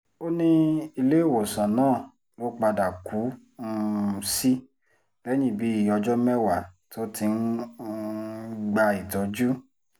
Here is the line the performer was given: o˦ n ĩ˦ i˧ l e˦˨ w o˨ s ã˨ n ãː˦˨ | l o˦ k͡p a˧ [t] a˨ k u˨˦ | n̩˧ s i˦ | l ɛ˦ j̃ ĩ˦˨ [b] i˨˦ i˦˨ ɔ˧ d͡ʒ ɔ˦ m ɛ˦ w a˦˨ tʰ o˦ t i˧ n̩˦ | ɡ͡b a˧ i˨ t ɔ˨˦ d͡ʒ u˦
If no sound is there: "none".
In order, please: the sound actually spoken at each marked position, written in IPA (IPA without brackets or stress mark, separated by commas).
d, b